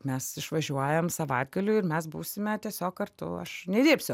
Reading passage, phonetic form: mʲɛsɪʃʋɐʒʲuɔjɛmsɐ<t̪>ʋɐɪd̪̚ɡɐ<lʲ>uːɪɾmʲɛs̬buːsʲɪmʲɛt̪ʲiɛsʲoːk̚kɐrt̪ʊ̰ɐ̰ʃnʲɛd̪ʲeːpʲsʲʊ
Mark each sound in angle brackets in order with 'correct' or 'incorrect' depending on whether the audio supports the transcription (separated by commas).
incorrect, correct